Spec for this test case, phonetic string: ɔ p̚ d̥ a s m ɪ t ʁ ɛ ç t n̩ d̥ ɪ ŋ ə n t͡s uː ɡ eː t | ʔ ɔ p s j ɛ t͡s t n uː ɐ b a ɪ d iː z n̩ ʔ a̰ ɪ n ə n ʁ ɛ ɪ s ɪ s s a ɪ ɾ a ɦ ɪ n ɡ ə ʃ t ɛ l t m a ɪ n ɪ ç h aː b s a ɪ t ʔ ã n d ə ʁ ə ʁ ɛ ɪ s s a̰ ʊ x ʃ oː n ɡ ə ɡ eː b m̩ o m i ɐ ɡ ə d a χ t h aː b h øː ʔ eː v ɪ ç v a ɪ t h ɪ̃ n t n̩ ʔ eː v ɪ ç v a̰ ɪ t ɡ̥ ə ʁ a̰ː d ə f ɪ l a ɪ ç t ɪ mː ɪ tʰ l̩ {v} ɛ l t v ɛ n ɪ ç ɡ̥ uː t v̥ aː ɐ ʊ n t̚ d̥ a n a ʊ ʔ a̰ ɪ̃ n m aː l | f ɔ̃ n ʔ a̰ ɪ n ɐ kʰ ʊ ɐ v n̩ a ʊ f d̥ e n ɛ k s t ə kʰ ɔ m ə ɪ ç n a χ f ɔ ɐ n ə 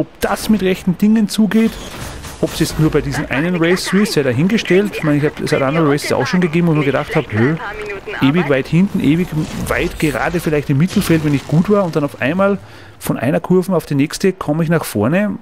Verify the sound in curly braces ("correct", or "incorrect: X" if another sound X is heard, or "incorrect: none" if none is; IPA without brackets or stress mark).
incorrect: f